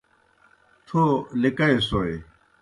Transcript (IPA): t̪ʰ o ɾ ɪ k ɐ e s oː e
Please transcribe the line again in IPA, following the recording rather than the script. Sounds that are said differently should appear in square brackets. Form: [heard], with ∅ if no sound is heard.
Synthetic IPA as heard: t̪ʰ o [l] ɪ k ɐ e s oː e